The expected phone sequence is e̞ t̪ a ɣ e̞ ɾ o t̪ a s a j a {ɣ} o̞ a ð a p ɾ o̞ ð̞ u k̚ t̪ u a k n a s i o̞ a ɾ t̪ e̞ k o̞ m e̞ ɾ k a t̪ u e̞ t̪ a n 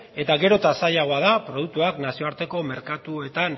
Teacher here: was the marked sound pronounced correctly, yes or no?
yes